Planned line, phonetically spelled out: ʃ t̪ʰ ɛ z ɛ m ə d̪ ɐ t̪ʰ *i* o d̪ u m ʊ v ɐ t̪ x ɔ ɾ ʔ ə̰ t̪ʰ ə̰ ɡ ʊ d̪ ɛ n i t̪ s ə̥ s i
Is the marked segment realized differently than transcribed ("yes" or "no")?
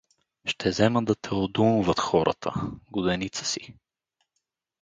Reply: yes